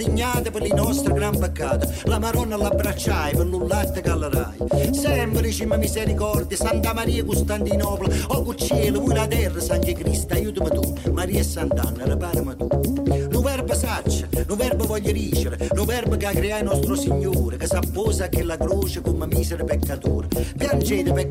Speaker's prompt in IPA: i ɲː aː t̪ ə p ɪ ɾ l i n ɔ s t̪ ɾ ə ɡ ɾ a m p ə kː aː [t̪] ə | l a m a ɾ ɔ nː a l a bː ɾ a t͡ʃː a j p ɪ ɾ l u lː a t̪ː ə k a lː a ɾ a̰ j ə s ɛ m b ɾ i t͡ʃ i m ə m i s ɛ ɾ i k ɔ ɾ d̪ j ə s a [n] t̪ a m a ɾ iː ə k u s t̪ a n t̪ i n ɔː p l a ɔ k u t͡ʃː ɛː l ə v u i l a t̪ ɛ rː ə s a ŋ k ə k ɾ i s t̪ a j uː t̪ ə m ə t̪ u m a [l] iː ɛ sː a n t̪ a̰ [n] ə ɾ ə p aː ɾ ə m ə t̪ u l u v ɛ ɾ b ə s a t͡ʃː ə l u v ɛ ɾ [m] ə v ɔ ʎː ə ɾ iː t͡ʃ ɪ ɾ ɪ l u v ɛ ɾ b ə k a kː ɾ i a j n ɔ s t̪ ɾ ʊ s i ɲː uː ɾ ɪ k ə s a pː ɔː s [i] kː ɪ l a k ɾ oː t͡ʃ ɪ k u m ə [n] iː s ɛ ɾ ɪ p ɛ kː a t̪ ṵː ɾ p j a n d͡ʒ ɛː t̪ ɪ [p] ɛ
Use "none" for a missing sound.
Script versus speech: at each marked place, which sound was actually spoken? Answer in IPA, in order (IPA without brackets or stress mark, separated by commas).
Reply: t̪, n, ɾ, nː, b, a, m, p